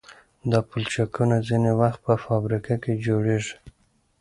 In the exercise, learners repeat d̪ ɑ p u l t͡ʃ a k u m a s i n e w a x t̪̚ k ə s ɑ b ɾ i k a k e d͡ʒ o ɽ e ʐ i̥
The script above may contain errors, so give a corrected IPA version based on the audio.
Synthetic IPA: d̪ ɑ p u l t͡ʃ a k u n a z i n e w a x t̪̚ p ə f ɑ b ɾ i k a k e d͡ʒ o ɽ e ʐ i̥